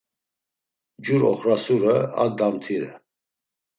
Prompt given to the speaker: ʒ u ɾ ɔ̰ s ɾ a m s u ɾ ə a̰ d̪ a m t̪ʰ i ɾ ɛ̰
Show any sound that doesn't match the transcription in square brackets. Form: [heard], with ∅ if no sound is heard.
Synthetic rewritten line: [d͡ʒ] u ɾ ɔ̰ [χ] ɾ a [∅] s u ɾ ə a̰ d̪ a m t̪ʰ i ɾ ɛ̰